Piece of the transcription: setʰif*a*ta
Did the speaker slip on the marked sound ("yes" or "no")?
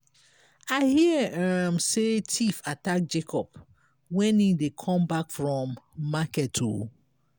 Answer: no